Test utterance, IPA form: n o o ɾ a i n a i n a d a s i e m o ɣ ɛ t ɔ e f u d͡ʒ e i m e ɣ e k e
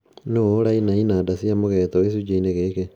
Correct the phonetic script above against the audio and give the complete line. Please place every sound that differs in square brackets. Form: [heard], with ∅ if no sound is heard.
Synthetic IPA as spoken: n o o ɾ a i n a i n a d a s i [a] m o ɣ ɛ t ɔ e [s] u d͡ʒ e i [n] e ɣ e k e